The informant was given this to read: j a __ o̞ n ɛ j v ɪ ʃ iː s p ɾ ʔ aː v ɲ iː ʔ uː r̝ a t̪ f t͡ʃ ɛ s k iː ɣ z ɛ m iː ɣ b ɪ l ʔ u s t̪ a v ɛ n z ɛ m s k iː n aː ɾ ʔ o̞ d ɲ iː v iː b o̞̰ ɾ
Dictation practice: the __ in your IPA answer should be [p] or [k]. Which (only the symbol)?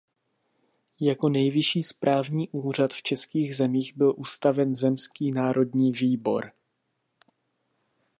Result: k